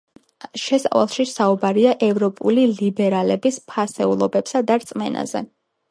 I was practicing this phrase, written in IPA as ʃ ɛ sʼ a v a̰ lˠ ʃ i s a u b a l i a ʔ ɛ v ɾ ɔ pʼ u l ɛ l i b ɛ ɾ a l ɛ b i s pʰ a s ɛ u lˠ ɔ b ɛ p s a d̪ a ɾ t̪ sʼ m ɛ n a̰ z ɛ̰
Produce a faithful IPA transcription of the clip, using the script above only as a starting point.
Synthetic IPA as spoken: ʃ ɛ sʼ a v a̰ lˠ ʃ i s a u b a ɾ i a ʔ ɛ v ɾ ɔ pʼ u l i l i b ɛ ɾ a l ɛ b i s pʰ a s ɛ u lˠ ɔ b ɛ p s a d̪ a ɾ t̪ sʼ m ɛ n a̰ z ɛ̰